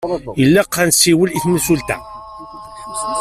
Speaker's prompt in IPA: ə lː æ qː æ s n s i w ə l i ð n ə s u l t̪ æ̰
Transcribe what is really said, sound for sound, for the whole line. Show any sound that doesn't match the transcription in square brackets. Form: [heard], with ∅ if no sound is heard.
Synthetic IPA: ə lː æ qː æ [∅] n s i w ə l i [θ] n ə s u l t̪ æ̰